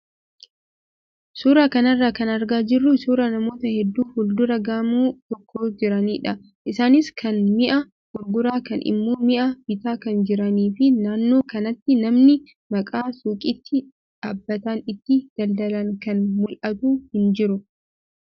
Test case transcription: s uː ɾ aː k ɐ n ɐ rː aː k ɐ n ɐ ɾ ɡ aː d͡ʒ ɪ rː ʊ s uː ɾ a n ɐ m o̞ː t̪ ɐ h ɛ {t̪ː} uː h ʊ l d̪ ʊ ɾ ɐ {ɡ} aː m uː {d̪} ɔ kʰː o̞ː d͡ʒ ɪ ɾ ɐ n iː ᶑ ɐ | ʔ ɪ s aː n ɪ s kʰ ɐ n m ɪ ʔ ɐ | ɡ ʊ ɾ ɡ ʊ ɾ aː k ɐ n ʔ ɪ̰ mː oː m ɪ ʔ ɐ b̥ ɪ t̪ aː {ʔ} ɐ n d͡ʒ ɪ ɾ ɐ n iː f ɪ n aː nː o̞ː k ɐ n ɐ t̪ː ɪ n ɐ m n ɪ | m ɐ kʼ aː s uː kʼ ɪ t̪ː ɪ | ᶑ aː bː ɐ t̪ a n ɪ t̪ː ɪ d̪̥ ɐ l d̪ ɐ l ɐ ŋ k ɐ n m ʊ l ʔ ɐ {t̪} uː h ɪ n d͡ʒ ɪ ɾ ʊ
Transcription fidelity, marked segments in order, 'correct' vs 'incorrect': incorrect: d̪ː, correct, incorrect: t̪, incorrect: k, correct

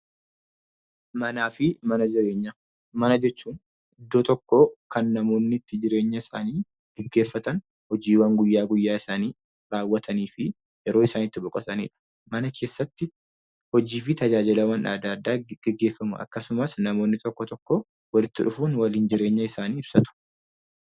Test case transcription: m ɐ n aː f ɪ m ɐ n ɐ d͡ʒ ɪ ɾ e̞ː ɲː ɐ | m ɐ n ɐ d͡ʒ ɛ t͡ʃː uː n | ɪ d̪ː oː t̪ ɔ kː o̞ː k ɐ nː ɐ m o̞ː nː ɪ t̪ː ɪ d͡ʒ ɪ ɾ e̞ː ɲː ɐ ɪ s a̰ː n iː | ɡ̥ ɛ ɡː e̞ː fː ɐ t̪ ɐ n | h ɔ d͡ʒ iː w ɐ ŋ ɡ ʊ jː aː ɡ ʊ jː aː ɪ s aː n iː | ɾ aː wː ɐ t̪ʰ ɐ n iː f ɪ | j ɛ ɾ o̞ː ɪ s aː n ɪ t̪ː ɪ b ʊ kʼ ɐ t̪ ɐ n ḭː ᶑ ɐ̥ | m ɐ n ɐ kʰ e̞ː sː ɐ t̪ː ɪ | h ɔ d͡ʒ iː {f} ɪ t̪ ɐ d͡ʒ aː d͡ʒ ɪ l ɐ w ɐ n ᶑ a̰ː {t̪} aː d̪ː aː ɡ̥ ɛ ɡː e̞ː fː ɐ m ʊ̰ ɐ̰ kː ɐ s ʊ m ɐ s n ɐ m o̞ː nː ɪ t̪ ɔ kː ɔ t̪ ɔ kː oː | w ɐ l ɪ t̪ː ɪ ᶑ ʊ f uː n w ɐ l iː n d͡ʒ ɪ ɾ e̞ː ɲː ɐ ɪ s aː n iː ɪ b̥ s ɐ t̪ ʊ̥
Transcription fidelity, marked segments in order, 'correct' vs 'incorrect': correct, incorrect: d̪

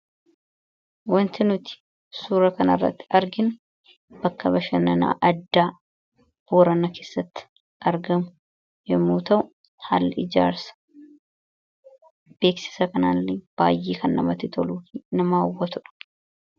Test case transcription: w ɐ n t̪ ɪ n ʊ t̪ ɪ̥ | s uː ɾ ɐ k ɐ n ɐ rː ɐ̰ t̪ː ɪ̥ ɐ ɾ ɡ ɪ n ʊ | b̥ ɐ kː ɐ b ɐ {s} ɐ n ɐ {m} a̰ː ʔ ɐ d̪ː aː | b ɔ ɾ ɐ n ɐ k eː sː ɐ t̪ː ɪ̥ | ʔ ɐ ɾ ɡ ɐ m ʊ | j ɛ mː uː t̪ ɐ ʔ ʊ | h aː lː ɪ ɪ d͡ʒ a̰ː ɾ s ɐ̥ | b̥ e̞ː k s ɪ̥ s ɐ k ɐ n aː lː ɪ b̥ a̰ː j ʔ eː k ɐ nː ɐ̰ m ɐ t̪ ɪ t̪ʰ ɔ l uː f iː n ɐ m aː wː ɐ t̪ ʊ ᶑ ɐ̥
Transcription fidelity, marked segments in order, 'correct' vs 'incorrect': incorrect: ʃ, incorrect: n

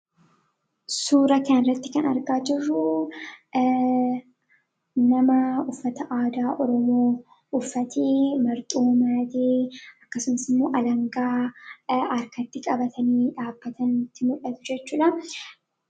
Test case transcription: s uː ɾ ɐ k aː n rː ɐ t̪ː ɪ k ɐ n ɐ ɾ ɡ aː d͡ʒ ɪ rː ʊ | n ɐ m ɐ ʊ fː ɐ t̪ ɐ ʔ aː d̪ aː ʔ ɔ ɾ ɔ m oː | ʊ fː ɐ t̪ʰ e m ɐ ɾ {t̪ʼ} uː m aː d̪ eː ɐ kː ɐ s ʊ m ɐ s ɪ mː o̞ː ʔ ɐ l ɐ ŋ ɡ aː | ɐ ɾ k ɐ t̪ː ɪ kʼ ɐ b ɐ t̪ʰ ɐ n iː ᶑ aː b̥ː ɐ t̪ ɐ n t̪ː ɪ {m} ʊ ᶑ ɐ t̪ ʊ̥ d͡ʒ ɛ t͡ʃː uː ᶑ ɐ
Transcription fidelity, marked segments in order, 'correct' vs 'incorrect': correct, correct

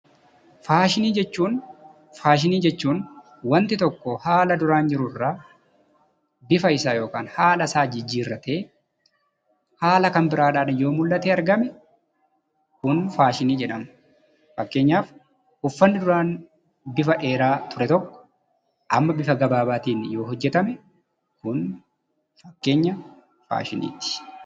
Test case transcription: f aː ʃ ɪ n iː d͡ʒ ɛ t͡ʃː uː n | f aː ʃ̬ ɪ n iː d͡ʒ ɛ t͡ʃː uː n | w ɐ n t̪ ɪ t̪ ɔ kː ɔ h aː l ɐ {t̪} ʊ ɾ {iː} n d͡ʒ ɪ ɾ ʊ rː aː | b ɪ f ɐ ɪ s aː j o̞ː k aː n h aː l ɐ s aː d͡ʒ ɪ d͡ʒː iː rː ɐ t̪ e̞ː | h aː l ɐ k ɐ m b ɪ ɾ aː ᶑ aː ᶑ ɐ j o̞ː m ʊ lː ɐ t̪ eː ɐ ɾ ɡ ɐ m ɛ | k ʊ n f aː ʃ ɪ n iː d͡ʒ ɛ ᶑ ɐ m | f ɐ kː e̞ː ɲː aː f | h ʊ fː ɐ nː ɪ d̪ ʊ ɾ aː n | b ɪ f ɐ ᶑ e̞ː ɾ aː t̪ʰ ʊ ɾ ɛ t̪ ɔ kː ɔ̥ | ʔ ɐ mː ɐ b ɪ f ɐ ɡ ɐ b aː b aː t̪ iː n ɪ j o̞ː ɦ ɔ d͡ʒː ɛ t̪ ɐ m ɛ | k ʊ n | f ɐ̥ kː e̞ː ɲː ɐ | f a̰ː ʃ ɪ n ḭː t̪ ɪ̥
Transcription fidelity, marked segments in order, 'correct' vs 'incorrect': incorrect: d̪, incorrect: aː

